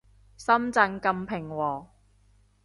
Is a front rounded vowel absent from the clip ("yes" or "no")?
yes